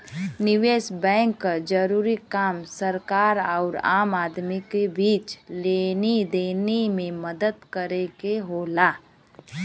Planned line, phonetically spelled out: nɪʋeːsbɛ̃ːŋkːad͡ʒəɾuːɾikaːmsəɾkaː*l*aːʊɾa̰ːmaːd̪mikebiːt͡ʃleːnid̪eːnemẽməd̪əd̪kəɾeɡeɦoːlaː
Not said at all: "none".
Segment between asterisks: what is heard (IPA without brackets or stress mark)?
ɾ